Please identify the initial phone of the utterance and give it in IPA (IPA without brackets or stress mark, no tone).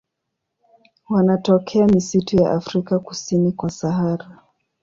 w